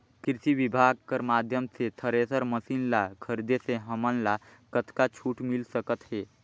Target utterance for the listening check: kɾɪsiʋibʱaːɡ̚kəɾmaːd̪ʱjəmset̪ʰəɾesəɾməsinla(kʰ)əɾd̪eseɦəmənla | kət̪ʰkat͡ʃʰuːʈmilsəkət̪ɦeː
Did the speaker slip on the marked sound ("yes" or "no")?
no